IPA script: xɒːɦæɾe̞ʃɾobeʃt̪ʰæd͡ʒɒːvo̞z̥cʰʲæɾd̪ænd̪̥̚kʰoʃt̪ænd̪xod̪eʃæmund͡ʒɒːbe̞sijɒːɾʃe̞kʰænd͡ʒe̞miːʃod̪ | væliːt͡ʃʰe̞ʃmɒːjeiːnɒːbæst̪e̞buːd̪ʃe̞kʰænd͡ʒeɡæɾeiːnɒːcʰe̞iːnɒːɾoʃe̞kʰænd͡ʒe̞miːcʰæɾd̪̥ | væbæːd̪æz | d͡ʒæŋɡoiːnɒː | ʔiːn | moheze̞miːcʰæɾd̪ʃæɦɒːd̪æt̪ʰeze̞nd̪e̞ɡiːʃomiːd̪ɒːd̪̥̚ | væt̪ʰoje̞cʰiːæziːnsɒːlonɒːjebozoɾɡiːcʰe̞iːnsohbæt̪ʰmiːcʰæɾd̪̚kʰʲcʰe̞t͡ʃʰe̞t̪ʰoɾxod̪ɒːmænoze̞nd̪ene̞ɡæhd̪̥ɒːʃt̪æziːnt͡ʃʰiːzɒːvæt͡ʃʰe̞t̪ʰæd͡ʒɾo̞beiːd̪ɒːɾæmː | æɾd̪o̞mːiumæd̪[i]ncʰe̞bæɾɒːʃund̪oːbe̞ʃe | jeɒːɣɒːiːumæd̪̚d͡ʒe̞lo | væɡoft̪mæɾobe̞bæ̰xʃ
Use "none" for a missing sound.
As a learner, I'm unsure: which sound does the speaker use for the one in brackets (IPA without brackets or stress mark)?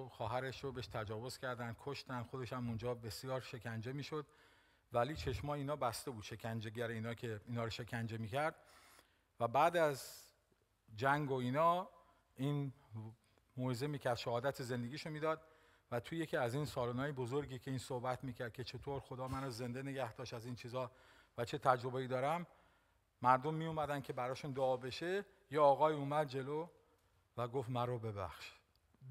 æ